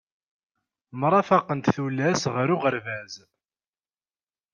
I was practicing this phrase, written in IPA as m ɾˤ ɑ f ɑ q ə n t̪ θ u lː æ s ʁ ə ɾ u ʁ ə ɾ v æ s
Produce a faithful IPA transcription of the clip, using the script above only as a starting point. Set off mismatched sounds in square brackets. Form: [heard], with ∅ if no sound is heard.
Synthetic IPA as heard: m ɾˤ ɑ f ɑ q ə n t̪ θ u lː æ s ʁ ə ɾ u ʁ ə ɾ v æ [z]

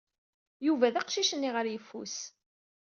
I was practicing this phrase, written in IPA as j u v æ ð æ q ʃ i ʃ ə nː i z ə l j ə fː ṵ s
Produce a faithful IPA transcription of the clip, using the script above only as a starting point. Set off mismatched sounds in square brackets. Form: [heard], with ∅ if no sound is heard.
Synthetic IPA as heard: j u v æ ð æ q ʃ i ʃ ə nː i [ʁ] ə [ɾ] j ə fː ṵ s

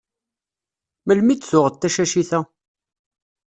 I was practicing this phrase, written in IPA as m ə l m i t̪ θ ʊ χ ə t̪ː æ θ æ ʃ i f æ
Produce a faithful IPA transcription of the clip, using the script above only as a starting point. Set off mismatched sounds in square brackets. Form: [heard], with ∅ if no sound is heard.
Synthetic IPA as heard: m ə l m i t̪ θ ʊ [ʁ] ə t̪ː æ [ʃ] æ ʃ i [θ] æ

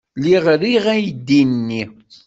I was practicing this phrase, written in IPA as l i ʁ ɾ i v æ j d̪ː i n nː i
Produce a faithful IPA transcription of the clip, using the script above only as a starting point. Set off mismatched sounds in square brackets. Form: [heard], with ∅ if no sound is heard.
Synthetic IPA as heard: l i ʁ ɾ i [ʁ] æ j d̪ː i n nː i

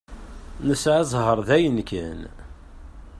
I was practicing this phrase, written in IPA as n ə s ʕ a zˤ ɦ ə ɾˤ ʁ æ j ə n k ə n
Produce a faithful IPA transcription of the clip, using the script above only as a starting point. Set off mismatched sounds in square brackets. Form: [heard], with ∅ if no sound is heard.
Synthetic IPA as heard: n ə s ʕ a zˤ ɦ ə ɾˤ [ð] æ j ə n k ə n

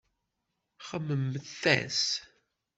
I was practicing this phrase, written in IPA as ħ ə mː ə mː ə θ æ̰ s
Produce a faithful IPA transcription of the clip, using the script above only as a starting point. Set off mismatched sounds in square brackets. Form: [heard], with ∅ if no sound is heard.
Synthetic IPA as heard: [χ] ə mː ə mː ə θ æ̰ s

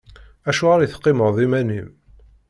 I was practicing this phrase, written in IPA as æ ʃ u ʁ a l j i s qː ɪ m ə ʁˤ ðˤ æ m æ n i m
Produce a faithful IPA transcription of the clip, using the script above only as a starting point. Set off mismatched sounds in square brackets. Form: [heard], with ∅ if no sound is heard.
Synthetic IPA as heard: æ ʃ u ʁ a [ɾ] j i [θ] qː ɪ m ə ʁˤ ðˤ [i] m æ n i m

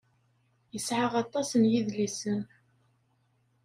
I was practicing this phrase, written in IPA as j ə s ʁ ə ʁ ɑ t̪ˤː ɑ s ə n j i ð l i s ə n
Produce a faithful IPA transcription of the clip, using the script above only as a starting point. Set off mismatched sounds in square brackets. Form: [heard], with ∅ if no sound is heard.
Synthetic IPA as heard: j ə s [ʕ] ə ʁ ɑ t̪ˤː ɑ s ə n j i ð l i s ə n

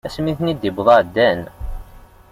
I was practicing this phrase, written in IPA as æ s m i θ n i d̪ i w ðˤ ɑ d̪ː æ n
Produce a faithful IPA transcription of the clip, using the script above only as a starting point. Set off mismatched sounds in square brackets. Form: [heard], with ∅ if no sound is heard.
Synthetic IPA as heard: æ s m i θ n i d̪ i [b] ðˤ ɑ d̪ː æ n

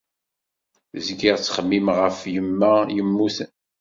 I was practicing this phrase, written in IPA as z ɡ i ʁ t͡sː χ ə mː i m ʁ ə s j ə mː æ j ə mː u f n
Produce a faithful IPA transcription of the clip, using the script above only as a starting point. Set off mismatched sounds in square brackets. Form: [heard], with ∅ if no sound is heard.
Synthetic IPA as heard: z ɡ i ʁ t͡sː χ ə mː i m ʁ ə [f] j ə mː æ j ə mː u [θ] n

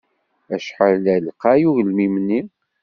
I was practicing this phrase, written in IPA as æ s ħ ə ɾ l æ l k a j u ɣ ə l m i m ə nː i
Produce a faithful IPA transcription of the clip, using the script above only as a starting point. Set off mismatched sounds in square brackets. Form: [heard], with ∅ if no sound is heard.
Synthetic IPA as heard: æ [ʃ] ħ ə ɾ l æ l [q] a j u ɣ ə l m i m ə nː i

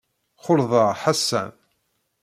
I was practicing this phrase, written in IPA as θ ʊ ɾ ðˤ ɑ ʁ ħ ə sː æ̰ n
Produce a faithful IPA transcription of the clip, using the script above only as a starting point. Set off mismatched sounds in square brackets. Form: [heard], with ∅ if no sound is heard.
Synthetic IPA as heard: [χ] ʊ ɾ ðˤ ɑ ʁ ħ [a] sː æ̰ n

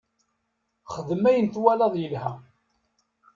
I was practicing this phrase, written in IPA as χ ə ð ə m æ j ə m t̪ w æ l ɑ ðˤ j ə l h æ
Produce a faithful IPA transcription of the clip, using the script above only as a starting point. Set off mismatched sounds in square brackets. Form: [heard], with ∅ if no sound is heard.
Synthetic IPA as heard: χ ə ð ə m æ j ə [n] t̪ w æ l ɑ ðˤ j ə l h æ

